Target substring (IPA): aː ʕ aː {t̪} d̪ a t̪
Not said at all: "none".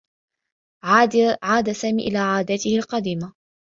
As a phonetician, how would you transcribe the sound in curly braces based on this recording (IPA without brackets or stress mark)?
none